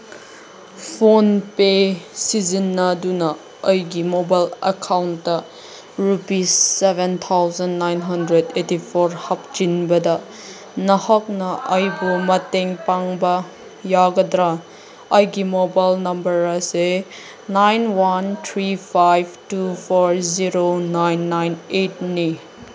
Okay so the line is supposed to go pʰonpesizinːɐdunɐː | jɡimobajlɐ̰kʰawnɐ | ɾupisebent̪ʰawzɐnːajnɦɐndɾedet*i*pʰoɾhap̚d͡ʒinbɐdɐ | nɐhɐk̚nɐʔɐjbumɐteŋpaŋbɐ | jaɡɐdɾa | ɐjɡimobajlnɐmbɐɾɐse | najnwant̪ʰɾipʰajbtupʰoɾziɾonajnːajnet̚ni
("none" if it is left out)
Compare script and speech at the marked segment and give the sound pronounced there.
i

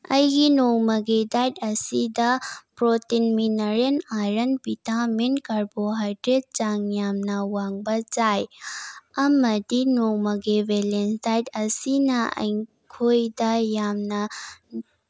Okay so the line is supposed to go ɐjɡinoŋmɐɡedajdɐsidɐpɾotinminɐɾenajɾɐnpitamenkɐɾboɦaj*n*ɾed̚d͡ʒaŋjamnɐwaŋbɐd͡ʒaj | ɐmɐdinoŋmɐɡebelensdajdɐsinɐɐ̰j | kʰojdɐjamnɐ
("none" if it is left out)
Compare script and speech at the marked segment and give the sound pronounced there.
d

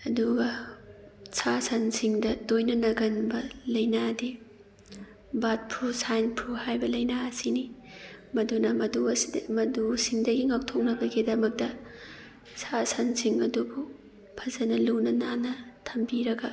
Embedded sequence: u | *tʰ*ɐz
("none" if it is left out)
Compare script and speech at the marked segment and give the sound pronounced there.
pʰ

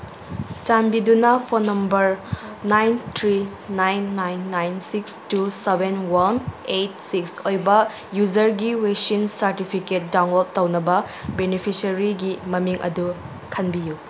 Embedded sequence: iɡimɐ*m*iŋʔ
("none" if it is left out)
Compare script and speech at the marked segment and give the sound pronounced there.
m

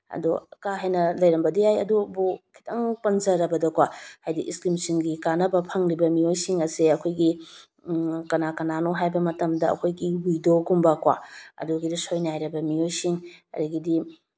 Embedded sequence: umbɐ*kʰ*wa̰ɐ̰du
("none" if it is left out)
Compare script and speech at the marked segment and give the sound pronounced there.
k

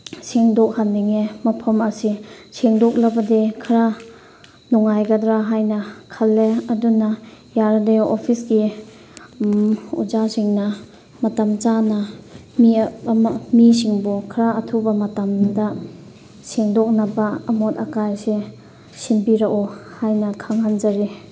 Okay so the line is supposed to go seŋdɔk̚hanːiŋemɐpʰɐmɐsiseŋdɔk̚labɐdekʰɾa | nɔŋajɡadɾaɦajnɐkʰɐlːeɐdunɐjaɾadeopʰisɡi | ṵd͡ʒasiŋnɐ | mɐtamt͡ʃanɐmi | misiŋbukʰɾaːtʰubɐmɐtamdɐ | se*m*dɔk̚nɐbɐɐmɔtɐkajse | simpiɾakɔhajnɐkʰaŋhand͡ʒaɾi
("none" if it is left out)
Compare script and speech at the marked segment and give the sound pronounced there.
ŋ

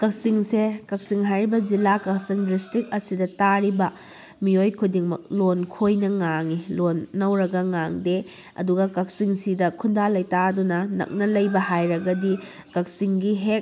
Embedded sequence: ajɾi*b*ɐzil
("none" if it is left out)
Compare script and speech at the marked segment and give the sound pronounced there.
b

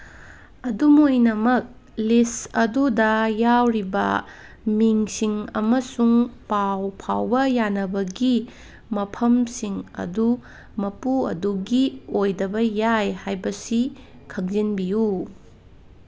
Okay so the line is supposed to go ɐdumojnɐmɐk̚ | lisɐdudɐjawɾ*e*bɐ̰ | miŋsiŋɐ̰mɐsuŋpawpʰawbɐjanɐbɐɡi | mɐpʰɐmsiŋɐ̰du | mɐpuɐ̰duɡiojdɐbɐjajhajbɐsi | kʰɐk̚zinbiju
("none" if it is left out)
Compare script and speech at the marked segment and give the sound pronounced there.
i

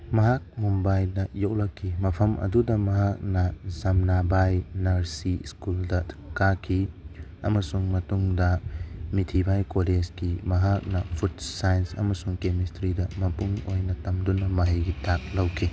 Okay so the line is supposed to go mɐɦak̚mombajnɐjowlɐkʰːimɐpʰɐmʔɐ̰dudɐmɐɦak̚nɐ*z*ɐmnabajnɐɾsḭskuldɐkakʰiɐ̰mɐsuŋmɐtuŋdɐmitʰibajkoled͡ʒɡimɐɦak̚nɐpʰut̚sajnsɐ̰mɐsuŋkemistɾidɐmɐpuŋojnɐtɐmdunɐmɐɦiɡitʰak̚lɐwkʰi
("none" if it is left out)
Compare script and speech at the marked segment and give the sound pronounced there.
z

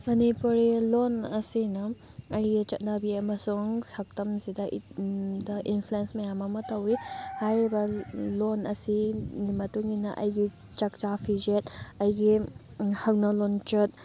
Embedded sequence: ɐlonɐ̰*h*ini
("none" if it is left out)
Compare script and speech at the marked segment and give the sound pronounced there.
s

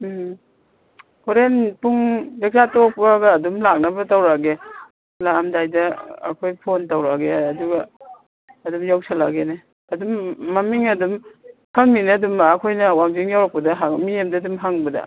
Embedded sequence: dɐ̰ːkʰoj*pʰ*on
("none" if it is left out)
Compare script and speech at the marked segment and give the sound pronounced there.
pʰ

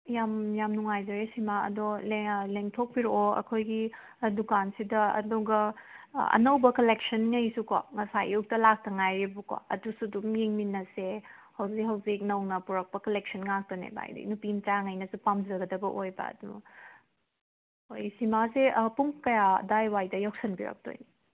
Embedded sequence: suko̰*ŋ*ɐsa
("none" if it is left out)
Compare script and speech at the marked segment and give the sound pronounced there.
ŋ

